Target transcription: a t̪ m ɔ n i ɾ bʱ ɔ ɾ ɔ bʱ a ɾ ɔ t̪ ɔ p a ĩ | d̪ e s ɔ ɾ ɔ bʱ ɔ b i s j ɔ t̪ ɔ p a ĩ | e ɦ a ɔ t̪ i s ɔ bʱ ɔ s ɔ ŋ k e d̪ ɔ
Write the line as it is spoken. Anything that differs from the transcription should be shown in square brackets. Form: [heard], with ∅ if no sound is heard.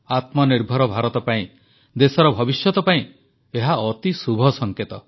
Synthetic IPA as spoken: a t̪ m ɔ n i ɾ bʱ ɔ ɾ ɔ bʱ a ɾ ɔ t̪ ɔ p a ĩ | d̪ e s ɔ ɾ ɔ bʱ ɔ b i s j ɔ t̪ ɔ p a ĩ | e ɦ a ɔ t̪ i s [u] bʱ ɔ s ɔ ŋ k e [t̪] ɔ